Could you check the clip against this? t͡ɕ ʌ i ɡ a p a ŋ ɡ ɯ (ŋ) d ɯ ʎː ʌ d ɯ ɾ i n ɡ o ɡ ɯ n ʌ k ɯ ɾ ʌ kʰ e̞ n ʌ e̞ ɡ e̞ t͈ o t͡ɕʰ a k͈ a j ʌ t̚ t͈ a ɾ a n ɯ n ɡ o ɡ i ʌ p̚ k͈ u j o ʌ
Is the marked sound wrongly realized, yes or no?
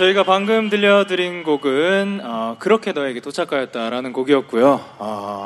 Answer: yes